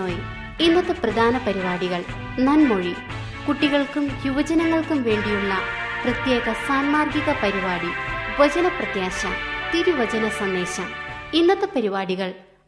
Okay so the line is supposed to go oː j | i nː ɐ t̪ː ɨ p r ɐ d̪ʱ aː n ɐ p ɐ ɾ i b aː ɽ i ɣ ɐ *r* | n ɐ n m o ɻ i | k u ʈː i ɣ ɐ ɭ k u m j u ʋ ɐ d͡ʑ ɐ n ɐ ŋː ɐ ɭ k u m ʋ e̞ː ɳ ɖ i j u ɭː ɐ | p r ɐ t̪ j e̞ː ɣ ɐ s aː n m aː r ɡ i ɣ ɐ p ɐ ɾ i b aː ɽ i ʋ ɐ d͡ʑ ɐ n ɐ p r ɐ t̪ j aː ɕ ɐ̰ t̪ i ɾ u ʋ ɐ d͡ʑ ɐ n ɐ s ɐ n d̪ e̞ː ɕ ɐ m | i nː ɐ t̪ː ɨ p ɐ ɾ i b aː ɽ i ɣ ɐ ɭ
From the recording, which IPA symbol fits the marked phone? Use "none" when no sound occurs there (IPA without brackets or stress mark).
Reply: ɭ